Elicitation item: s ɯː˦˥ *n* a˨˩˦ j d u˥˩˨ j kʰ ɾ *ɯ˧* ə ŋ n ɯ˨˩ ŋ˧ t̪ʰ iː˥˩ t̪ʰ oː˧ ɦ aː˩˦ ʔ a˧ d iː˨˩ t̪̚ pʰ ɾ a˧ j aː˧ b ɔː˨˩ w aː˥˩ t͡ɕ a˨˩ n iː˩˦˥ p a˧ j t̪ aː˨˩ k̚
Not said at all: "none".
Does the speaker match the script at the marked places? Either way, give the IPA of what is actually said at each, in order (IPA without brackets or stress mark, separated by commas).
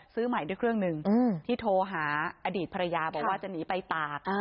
m, ɯ˥˩